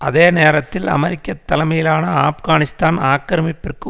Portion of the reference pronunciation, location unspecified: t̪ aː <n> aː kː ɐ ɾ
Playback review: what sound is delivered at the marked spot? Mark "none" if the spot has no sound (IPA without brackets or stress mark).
n